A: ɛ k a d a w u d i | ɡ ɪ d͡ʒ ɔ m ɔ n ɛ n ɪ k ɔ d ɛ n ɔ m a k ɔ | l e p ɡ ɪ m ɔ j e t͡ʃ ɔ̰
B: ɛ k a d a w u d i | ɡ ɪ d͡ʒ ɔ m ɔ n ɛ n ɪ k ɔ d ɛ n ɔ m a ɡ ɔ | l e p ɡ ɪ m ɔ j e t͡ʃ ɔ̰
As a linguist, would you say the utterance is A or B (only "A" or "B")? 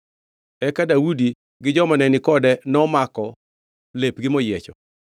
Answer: A